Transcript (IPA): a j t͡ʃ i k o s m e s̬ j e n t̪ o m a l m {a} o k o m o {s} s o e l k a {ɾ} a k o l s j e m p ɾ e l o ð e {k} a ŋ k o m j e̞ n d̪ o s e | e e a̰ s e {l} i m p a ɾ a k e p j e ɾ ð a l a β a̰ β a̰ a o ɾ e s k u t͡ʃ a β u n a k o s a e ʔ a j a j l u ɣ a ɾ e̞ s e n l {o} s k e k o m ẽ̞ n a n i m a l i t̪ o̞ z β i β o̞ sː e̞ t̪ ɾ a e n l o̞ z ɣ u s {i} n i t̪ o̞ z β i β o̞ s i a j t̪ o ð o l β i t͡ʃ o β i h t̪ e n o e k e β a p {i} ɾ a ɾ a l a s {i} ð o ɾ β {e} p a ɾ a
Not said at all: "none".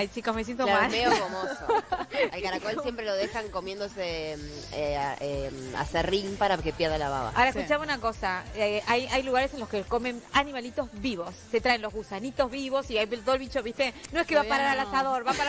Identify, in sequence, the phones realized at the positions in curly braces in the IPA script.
e, s, ɾ, x, r, o, a, a, a, a

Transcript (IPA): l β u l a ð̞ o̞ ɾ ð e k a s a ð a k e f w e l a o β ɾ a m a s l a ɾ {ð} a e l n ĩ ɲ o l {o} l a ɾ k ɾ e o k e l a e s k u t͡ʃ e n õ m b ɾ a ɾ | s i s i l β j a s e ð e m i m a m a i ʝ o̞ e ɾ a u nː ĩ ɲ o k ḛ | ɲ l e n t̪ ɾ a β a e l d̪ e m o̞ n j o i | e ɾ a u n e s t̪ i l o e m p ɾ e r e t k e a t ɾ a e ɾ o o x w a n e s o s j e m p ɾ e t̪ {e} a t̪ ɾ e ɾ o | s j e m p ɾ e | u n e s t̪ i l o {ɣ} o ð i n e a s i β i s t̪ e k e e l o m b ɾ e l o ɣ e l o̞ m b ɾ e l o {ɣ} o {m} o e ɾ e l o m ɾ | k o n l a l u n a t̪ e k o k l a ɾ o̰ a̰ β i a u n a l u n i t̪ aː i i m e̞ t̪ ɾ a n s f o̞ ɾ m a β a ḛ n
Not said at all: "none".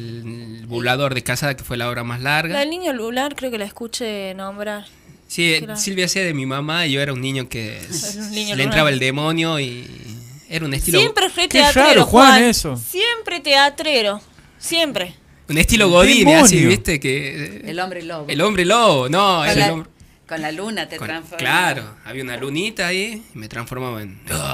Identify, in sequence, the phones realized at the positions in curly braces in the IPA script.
ɣ, u, e, ɣ, ɣ, n

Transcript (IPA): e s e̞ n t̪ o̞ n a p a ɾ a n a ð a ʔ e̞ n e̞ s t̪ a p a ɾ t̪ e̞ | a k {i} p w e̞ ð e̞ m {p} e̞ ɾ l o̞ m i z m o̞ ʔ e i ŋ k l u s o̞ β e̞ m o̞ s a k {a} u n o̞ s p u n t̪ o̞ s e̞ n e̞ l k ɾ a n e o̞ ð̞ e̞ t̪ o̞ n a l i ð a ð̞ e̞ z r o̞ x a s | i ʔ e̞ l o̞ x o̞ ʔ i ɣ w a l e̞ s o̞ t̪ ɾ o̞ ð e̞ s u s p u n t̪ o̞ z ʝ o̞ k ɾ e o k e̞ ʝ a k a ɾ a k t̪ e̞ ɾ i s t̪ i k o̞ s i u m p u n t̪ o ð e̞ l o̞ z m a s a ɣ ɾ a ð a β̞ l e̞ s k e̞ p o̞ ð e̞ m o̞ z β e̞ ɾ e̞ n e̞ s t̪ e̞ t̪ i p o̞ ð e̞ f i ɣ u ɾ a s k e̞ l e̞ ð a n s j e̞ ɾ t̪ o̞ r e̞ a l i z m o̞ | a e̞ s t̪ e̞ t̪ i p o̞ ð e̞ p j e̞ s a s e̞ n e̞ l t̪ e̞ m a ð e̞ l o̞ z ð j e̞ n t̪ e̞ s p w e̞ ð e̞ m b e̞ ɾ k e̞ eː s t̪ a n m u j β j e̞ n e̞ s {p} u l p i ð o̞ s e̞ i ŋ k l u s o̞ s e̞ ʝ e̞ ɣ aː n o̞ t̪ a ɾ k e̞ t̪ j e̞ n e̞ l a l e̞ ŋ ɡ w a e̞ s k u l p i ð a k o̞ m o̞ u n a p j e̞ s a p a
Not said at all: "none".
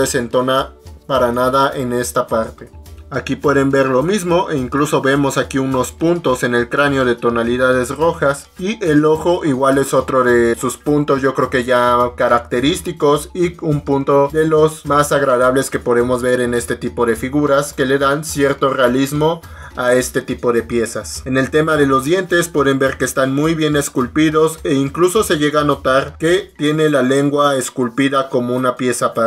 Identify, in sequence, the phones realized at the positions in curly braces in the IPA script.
i, b, i, k

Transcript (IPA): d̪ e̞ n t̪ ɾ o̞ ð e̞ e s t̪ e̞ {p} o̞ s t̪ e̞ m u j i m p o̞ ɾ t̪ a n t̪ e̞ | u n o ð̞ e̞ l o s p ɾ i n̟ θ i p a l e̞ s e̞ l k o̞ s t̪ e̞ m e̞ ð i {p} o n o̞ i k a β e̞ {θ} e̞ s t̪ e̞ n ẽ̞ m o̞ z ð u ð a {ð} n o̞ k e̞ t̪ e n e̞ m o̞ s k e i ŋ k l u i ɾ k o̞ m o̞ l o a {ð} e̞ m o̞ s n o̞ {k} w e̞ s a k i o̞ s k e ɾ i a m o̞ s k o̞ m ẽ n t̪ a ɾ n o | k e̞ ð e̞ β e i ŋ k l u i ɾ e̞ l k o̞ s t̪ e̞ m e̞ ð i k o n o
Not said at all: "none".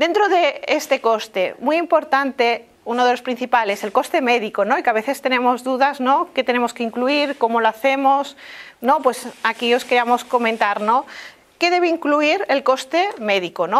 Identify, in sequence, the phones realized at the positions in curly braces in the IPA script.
k, k, θ, z, θ, p

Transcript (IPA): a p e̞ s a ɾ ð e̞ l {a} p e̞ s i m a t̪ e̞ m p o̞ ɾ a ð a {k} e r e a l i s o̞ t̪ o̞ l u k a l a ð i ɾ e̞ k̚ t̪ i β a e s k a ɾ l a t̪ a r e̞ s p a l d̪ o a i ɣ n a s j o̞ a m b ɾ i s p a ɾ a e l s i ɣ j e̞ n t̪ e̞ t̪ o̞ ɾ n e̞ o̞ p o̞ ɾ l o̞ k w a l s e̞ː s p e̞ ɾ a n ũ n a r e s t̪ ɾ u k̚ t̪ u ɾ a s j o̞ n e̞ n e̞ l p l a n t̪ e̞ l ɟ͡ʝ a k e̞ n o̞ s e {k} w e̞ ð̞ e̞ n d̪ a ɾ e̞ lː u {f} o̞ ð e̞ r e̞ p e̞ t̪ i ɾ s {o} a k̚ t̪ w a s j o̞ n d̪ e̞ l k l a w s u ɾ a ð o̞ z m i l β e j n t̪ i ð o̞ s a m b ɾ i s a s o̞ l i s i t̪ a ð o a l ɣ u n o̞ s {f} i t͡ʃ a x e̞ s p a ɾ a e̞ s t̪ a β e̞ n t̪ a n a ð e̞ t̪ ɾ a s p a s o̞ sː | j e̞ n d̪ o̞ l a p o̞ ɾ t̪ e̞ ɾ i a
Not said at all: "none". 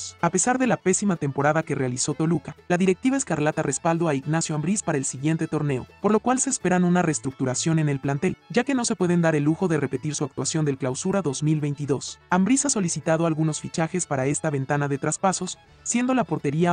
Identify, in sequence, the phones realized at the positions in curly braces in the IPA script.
a, k, p, x, u, f

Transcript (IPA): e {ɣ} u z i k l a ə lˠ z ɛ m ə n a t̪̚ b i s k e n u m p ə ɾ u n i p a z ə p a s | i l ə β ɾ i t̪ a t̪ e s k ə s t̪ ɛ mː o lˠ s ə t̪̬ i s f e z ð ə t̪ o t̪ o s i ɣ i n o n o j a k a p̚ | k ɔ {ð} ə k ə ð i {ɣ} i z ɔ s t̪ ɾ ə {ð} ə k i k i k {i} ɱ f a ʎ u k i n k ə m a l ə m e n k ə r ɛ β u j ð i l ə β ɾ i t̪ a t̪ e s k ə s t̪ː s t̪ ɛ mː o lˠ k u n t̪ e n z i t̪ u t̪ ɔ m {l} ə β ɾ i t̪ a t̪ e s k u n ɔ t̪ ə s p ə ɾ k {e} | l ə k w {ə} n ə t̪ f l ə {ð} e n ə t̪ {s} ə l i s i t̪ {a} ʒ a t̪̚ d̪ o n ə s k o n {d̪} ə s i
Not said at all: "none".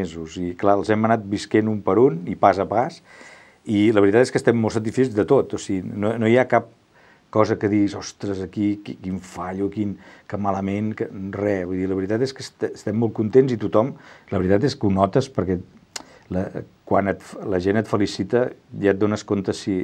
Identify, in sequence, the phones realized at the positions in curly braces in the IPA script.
z, z, ɣ, z, i, l, ɛ, a, ʒ, f, ə, t̪

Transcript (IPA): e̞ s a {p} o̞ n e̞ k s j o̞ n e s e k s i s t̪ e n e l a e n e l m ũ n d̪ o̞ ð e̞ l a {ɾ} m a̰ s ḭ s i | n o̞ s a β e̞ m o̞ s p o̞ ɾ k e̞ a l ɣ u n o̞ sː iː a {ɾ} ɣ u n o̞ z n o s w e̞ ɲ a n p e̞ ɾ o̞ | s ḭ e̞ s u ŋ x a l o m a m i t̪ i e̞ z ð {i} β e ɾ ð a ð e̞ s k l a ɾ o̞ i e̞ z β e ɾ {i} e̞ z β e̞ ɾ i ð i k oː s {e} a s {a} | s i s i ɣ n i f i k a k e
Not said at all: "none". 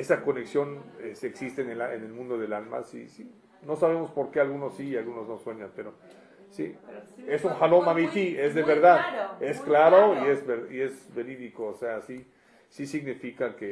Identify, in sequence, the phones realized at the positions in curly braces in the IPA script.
k, l, l, e, i, e, i

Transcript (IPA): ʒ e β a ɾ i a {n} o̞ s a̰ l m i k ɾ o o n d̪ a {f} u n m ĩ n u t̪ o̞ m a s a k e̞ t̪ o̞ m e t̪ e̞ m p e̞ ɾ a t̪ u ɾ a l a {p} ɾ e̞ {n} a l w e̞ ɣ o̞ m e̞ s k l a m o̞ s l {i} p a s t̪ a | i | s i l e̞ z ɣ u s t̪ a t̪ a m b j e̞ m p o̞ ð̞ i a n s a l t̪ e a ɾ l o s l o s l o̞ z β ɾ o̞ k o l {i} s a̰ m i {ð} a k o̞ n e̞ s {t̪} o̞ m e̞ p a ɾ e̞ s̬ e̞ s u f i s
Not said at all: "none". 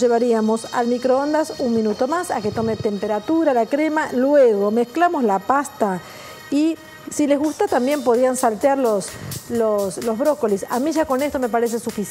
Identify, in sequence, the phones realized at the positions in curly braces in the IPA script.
m, s, k, m, a, i, ʒ, t̪

